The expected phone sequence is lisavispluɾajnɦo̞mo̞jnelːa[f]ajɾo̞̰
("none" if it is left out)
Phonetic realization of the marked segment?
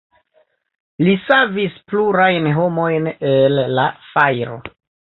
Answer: f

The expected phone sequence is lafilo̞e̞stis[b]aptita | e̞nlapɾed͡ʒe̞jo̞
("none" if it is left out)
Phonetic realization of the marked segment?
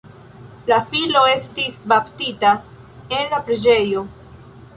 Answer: b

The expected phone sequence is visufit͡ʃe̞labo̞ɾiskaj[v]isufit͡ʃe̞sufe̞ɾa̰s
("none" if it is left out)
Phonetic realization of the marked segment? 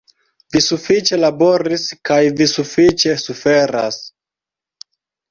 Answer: v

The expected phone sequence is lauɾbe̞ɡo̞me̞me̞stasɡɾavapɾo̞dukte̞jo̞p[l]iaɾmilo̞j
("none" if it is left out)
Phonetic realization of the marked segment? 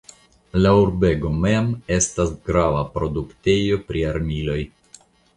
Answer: ɾ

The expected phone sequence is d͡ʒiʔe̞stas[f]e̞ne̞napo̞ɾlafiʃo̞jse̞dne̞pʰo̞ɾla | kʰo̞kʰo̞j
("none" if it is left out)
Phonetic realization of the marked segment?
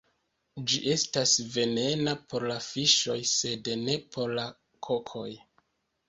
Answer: v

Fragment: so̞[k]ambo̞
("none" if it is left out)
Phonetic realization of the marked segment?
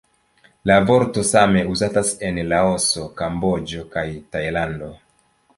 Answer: k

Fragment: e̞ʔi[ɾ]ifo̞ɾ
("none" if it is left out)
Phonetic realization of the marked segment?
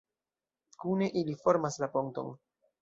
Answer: l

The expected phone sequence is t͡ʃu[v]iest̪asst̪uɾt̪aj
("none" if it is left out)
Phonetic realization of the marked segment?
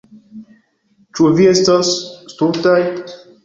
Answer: v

